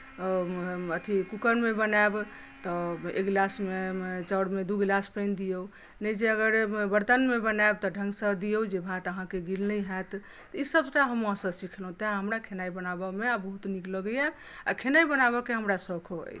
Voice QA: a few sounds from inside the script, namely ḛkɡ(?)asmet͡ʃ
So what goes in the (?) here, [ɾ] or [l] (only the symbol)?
l